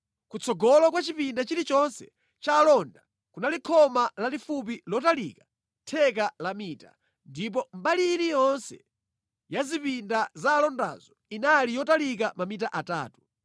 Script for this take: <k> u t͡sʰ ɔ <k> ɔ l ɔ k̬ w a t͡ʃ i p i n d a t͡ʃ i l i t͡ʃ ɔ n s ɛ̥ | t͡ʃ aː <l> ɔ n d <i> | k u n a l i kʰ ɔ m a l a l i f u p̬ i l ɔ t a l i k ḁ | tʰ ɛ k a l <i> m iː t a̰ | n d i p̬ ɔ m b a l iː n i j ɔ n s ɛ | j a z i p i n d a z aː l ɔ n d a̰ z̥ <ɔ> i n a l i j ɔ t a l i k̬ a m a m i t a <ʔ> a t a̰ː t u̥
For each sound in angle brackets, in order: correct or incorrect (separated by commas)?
correct, incorrect, correct, incorrect, incorrect, correct, correct